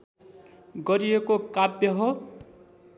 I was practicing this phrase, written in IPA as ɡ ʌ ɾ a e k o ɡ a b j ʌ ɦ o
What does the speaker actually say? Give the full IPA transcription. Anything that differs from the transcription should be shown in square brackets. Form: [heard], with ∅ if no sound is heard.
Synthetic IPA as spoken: ɡ ʌ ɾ [i] e k o [k] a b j ʌ ɦ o